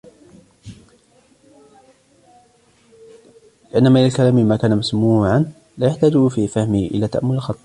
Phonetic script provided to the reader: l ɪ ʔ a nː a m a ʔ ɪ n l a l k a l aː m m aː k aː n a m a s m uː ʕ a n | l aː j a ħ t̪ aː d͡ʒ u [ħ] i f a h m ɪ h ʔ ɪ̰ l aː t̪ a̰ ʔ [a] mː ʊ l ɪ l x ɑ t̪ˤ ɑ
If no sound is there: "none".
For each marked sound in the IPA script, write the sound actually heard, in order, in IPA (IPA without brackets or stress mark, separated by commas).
f, a